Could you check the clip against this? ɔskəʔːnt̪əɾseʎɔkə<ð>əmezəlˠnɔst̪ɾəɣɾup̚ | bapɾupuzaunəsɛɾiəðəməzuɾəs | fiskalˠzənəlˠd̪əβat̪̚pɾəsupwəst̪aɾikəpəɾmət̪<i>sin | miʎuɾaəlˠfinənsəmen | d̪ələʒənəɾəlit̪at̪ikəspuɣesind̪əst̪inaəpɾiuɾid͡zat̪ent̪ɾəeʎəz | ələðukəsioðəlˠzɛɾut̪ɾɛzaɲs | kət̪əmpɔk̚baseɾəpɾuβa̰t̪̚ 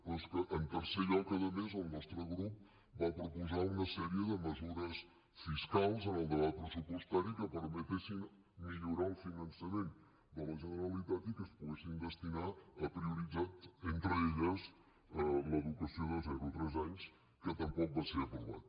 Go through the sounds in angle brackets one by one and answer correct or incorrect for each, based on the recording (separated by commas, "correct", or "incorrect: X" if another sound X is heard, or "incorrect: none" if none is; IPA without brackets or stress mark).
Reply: correct, incorrect: e